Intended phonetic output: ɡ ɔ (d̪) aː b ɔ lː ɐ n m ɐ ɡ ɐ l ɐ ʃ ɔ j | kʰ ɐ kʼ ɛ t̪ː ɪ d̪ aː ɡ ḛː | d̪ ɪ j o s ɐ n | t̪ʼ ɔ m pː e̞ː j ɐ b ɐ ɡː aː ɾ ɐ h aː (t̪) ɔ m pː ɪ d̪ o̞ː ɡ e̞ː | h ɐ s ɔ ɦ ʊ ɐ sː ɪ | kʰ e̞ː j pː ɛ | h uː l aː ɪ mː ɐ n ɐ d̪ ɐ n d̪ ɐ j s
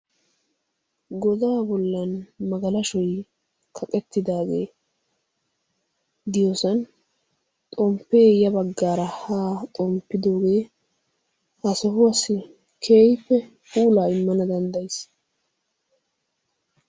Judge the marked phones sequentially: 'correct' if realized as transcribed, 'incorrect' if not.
correct, incorrect: t̪ʼ

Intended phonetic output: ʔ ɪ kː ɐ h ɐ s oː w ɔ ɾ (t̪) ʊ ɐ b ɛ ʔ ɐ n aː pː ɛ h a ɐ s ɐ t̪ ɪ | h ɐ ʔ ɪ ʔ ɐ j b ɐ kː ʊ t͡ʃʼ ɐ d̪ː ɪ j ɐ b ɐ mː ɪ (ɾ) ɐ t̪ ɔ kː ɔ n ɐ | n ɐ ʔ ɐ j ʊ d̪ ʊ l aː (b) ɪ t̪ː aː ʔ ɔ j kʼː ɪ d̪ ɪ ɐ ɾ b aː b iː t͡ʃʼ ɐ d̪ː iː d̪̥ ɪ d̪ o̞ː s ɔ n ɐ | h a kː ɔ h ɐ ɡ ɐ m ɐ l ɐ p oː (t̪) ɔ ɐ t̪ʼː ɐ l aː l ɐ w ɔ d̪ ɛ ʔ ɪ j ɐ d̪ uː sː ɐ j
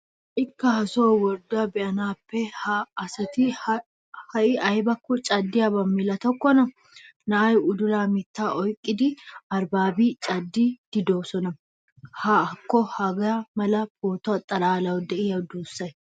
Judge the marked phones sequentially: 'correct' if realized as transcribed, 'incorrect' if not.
incorrect: d̪, incorrect: l, incorrect: m, correct

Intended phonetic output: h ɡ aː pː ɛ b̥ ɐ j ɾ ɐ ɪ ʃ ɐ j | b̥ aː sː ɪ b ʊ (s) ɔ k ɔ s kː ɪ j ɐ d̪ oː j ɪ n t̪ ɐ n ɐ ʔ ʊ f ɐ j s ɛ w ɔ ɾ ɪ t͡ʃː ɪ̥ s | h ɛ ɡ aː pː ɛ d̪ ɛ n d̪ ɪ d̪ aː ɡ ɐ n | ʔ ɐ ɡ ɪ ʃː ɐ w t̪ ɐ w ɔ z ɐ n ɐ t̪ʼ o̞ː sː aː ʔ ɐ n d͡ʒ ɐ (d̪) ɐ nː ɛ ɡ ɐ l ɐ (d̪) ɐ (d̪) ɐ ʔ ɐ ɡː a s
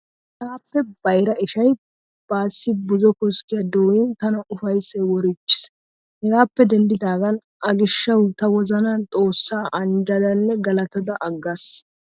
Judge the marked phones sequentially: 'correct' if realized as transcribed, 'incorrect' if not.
incorrect: z, correct, incorrect: t̪, correct

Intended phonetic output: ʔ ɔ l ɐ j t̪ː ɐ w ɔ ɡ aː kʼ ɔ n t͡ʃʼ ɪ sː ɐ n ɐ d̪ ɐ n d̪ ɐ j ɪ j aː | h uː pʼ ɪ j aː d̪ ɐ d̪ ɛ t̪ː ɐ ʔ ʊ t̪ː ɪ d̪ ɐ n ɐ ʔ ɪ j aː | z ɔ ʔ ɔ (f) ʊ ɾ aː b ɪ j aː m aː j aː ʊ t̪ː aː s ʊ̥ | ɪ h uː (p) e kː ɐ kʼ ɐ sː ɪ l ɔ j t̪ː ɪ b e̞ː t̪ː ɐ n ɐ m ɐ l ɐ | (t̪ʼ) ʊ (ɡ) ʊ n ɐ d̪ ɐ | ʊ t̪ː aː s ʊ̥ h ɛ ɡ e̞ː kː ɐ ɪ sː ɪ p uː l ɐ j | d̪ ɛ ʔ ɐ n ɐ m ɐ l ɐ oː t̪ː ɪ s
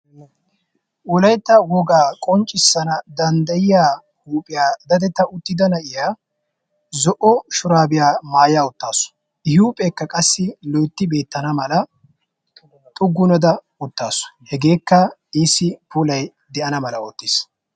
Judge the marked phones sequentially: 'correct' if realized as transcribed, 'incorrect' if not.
incorrect: ʃ, incorrect: pʼ, correct, incorrect: ɡː

